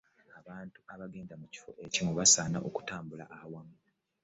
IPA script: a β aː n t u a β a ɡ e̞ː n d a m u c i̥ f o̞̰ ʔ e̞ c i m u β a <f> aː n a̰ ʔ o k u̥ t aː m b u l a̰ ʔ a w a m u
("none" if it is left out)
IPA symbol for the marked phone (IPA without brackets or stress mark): s